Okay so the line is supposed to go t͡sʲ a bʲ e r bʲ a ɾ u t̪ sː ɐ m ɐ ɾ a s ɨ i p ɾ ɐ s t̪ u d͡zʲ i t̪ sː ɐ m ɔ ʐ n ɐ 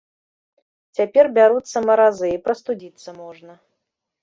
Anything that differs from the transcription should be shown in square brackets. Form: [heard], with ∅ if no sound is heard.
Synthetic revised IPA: t͡sʲ a [pʲ] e r bʲ a ɾ u t̪ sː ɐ m ɐ ɾ a [z] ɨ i p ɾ ɐ s t̪ u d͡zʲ i t̪ sː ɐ m ɔ ʐ n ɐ

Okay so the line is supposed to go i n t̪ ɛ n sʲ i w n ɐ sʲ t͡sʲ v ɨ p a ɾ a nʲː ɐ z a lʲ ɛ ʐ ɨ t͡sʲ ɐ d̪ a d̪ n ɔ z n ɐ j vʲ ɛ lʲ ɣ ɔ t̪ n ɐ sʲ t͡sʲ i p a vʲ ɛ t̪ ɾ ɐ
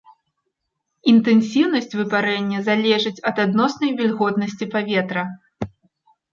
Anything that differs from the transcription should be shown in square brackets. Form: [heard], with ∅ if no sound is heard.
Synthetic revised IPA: i n t̪ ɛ n sʲ i w n ɐ sʲ t͡sʲ v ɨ p a ɾ [ɛ] nʲː ɐ z a lʲ ɛ ʐ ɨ t͡sʲ ɐ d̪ a d̪ n ɔ [s] n ɐ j vʲ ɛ lʲ ɣ ɔ t̪ n ɐ sʲ t͡sʲ i p a vʲ ɛ t̪ ɾ ɐ

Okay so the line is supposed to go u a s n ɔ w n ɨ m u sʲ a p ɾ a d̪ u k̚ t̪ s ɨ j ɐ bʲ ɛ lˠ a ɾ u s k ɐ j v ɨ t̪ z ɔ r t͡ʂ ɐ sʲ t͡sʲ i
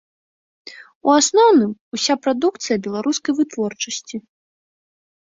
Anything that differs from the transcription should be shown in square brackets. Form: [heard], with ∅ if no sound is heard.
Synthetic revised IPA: u a s n ɔ w n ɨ m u sʲ a p ɾ a d̪ u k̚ t̪ s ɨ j ɐ bʲ ɛ lˠ a ɾ u s k ɐ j v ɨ t̪ [v] ɔ r t͡ʂ ɐ sʲ t͡sʲ i

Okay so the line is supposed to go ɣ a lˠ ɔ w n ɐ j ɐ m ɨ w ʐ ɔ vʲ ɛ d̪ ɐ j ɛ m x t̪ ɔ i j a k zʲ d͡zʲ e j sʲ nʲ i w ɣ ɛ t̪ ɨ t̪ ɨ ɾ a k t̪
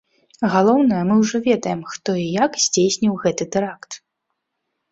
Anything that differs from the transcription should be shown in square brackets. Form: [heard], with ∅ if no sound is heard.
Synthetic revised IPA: ɣ a lˠ ɔ w n ɐ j ɐ m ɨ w ʐ ɔ vʲ ɛ d̪ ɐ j ɛ m x t̪ ɔ i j a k zʲ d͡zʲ e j sʲ nʲ i w ɣ ɛ t̪ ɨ t̪ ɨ ɾ a k t̪

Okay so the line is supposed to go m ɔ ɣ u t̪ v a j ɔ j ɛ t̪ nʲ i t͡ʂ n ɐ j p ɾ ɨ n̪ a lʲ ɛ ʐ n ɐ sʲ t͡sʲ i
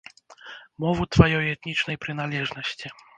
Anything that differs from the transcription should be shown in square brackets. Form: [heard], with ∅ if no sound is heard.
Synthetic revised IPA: m ɔ [v] u t̪ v a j ɔ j ɛ t̪ nʲ i t͡ʂ n ɐ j p ɾ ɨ n̪ a lʲ ɛ ʐ n ɐ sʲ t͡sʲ i

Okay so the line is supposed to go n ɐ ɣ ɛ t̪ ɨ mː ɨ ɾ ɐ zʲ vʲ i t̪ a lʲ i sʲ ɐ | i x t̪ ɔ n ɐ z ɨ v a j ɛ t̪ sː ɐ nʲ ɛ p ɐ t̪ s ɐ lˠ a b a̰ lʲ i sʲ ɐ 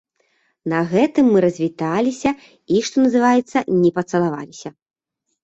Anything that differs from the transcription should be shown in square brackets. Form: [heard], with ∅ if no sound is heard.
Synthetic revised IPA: n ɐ ɣ ɛ t̪ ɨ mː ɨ ɾ ɐ zʲ vʲ i t̪ a lʲ i sʲ ɐ | i [ʂ] t̪ ɔ n ɐ z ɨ v a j ɛ t̪ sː ɐ nʲ ɛ p ɐ t̪ s ɐ lˠ a [v] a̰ lʲ i sʲ ɐ

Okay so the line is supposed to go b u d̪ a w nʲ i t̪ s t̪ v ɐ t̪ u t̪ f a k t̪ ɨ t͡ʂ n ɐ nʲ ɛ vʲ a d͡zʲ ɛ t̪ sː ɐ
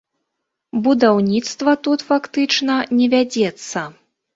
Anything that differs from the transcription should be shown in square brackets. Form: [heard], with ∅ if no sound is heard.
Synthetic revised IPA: b u d̪ a w nʲ i t̪ s t̪ v ɐ t̪ u t̪ f a k t̪ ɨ t͡ʂ n ɐ nʲ ɛ vʲ a d͡zʲ ɛ t̪ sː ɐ

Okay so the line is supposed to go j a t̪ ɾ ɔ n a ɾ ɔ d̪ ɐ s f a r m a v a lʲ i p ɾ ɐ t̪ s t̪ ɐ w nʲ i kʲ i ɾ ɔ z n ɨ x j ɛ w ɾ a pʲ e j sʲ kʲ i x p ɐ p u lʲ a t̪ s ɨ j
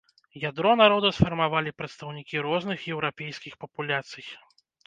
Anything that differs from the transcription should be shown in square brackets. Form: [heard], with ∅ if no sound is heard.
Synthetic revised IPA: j a [d̪] ɾ ɔ n a ɾ ɔ d̪ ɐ s f [ɐ] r m a v a lʲ i p ɾ ɐ t̪ s t̪ ɐ w nʲ i kʲ i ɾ ɔ z n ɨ x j ɛ w ɾ a pʲ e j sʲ kʲ i x p ɐ p u lʲ a t̪ s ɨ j

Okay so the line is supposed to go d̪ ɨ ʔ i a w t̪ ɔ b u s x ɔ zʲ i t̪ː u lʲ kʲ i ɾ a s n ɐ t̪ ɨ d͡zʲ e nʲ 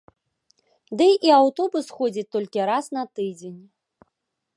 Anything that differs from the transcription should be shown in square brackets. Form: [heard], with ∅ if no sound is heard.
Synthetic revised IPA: d̪ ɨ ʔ i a w t̪ ɔ b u s x ɔ [d͡zʲ] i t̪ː [ɔ] lʲ kʲ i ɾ a s n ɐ t̪ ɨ d͡zʲ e nʲ

